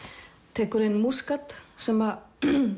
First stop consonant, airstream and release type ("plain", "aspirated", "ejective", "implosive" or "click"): aspirated